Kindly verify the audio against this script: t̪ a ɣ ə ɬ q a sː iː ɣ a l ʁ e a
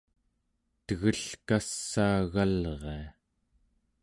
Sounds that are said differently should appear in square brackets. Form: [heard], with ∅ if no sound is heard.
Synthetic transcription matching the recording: t̪ [ə] ɣ ə ɬ [k] a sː [aː] ɣ a l ʁ e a